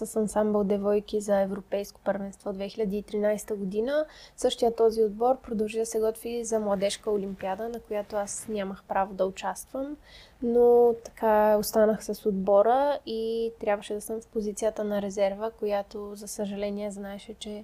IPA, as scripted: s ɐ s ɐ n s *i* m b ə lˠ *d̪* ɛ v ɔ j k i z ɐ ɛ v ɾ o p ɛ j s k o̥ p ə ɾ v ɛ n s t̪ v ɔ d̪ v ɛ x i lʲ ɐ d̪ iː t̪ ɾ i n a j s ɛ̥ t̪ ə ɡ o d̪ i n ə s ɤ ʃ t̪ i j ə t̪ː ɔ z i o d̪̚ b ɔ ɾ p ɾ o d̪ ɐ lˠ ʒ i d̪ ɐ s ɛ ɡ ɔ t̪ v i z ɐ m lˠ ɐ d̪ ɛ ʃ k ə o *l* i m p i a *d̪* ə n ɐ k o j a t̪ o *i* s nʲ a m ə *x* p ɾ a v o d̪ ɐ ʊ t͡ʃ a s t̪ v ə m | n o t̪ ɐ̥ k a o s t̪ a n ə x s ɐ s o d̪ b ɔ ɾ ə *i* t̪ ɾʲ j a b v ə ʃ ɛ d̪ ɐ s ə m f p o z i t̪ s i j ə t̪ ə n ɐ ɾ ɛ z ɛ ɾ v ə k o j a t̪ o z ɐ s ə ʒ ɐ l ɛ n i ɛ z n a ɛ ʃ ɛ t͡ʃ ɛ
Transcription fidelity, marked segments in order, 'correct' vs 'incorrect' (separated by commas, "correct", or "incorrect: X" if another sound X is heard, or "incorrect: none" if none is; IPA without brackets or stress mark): incorrect: a, correct, correct, correct, incorrect: a, correct, correct